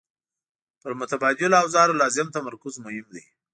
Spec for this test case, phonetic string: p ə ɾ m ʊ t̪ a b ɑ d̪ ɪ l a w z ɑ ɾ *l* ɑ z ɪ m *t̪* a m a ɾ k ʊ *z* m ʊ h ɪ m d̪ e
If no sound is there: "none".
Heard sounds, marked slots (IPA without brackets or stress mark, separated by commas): l, t̪, z